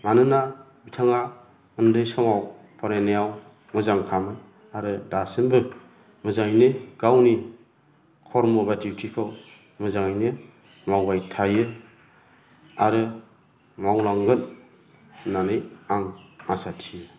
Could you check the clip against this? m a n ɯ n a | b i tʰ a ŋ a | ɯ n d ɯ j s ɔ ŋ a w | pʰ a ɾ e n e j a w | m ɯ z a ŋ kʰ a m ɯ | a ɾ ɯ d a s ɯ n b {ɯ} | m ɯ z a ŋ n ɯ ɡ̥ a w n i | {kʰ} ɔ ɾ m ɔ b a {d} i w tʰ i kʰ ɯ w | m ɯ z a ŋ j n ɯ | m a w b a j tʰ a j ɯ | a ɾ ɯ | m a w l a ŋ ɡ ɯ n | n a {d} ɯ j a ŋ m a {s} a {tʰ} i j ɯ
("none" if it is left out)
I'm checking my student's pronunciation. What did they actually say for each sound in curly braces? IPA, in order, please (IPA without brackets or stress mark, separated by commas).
ɯ, kʰ, d, n, s, tʰ